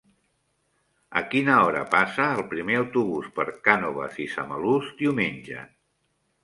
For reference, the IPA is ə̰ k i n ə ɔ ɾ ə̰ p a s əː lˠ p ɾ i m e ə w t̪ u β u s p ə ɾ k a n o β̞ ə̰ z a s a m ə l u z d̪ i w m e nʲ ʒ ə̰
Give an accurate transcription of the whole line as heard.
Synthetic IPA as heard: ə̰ k i n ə ɔ ɾ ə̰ p a s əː lˠ p ɾ i m e ə w t̪ u β u s p ə ɾ k a n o β̞ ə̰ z i s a m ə l u z d̪ i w m e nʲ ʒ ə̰